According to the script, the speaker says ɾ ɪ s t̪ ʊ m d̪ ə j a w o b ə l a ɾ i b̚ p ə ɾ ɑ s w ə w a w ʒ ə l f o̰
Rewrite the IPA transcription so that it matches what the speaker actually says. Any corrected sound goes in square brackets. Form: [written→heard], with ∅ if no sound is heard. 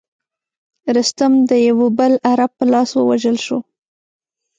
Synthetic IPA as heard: ɾ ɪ s t̪ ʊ m d̪ ə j a w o b ə l a ɾ [i→a] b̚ p ə [ɾ→l] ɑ s w ə w a [w→∅] ʒ ə l [f→ʃ] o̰